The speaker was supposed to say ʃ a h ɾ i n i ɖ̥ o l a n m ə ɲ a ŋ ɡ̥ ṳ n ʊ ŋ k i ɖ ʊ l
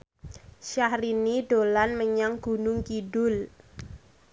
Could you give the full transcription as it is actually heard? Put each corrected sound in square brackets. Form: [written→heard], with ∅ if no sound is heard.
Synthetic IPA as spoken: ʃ a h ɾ i n i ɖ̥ o l a n m ə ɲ a ŋ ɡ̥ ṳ n ʊ ŋ k i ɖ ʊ l